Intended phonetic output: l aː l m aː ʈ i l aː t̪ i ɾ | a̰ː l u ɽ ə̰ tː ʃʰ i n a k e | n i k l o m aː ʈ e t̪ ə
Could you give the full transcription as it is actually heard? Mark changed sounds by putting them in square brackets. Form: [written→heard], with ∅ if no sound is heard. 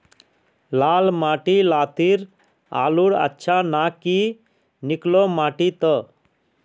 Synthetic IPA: l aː l m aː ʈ i l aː t̪ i ɾ | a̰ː l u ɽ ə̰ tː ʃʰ [i→a] n a k [e→i] | n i k l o m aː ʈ [e→i] t̪ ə